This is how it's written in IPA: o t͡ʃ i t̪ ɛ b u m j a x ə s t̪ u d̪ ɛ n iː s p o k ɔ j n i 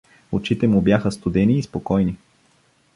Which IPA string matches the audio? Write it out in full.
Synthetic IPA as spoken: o t͡ʃ i t̪ ɛ m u b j a x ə s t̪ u d̪ ɛ n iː s p o k ɔ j n i